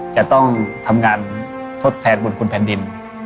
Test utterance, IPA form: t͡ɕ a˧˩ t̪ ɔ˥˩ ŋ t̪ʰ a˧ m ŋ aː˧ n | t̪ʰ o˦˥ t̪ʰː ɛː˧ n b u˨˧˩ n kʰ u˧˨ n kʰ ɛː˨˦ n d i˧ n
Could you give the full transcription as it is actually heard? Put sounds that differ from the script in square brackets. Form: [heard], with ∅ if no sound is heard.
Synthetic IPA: t͡ɕ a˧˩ t̪ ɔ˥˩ ŋ t̪ʰ a˧ m ŋ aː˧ n | t̪ʰ o˦˥ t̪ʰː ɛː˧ n b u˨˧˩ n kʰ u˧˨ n [pʰ] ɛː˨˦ n d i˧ n